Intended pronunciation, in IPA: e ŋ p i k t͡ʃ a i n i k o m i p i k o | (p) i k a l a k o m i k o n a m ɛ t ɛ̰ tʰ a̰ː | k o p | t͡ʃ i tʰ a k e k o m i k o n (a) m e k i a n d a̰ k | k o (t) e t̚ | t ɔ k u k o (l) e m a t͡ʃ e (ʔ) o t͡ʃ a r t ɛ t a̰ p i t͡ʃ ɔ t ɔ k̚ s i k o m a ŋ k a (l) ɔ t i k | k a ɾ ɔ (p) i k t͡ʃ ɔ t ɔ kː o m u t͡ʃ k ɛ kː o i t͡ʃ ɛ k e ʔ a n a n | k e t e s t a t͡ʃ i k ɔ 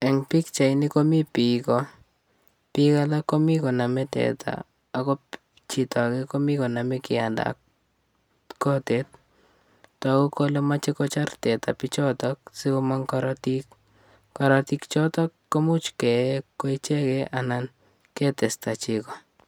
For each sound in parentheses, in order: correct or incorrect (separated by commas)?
correct, correct, correct, correct, incorrect, incorrect, incorrect